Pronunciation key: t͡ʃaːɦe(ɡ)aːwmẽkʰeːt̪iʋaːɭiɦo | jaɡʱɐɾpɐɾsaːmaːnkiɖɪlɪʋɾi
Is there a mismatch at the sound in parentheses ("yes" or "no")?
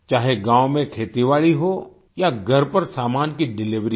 no